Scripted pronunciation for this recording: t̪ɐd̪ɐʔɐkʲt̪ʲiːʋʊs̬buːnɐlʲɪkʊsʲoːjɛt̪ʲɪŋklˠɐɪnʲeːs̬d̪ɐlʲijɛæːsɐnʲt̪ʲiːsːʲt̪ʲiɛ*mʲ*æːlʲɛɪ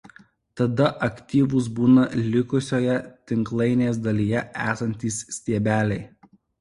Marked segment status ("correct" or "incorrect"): incorrect